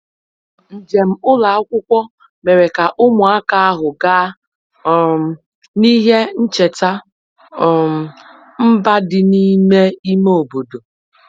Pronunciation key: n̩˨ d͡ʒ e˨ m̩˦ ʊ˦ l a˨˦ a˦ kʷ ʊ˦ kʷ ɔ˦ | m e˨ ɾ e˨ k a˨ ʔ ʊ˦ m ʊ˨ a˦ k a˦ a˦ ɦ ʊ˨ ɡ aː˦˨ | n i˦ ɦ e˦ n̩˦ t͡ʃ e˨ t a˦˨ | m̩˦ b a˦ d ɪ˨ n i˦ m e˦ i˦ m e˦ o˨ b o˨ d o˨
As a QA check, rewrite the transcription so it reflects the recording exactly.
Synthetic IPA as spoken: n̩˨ d͡ʒ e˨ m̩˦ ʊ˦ l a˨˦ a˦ kʷ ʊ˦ kʷ ɔ˦ | m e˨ ɾ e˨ k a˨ ʔ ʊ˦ m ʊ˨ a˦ k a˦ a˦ ɦ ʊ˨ ɡ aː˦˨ | n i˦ ɦ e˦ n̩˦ t͡ʃ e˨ t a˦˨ | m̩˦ b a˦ d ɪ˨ n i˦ m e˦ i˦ m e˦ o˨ b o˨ d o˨